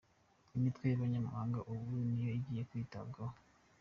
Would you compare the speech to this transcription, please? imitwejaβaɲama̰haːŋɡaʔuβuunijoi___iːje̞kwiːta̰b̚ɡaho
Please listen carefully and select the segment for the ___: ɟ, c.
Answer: ɟ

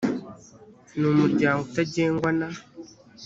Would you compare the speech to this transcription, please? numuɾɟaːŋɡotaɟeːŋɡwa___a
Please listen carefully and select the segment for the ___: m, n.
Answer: n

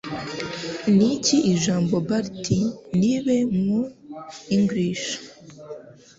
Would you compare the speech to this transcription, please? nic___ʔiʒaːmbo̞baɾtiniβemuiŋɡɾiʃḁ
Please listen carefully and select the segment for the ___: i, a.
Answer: i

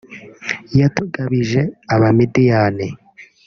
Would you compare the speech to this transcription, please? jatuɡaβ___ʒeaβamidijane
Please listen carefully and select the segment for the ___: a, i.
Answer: i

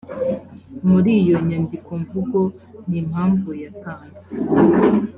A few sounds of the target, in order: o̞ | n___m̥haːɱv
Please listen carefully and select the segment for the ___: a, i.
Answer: i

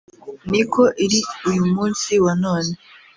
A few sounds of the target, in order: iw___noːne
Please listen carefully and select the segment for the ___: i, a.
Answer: a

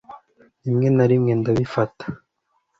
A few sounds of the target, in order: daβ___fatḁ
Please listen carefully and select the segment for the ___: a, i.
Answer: i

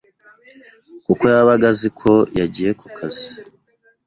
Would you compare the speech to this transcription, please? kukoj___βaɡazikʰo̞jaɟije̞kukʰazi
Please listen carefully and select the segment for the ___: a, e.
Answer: a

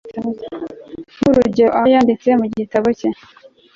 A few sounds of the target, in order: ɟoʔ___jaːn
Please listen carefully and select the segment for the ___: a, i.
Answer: a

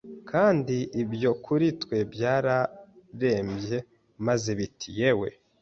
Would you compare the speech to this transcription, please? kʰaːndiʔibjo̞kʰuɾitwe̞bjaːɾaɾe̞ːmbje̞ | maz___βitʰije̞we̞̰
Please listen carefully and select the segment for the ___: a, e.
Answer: e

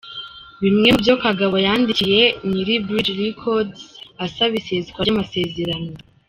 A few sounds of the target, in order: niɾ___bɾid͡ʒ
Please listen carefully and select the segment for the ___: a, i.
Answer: i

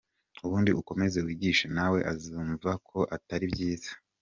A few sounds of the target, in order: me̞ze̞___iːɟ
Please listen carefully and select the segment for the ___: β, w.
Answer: w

